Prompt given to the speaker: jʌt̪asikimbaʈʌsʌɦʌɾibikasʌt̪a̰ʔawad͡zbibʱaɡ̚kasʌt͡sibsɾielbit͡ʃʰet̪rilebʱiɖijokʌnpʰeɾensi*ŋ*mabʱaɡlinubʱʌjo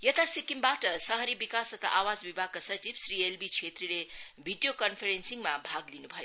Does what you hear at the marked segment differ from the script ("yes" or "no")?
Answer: no